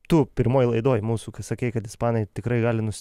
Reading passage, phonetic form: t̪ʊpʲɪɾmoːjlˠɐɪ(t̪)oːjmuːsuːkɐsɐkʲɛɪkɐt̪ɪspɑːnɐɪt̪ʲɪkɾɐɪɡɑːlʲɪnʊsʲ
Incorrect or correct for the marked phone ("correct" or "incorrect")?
incorrect